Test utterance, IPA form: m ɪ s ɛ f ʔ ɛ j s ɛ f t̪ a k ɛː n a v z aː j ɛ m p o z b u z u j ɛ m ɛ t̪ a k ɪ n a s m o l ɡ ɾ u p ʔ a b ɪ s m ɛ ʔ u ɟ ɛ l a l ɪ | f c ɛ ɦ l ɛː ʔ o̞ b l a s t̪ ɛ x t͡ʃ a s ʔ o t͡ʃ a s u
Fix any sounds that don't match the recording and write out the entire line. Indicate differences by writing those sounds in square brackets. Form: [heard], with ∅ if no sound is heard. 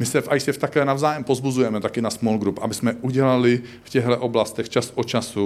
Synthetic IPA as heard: m ɪ s ɛ f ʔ [a] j s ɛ f t̪ a k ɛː n a v z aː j ɛ m p o z b u z u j ɛ m ɛ t̪ a k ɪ n a s m o l ɡ ɾ u p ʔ a b ɪ s m ɛ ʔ u ɟ ɛ l a l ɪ | f c ɛ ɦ l [ɛ] ʔ o̞ b l a s t̪ ɛ x t͡ʃ a s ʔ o t͡ʃ a s u